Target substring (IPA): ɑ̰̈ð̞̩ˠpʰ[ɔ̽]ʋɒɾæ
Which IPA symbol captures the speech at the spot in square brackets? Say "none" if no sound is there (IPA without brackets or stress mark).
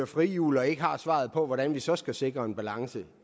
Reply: ɒ̽